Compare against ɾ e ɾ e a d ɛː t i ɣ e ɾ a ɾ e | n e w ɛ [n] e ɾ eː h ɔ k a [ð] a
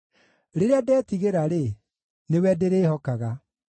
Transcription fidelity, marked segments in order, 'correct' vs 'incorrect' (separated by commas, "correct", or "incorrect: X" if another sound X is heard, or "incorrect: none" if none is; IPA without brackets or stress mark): incorrect: d, incorrect: ɣ